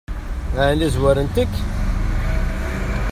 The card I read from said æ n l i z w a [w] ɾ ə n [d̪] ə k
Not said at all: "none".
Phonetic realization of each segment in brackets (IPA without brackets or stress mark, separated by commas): none, t̪